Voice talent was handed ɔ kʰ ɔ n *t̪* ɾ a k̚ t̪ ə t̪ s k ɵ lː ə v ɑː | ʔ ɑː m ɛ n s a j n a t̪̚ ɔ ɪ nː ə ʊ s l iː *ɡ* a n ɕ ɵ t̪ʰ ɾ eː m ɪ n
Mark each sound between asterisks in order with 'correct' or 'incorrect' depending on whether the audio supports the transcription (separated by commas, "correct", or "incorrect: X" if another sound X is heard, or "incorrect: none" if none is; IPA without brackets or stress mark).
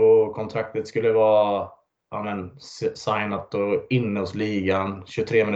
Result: incorrect: t̪ʰ, correct